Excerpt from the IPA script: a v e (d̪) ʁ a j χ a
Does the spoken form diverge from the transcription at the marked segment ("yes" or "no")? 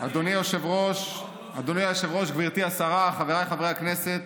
yes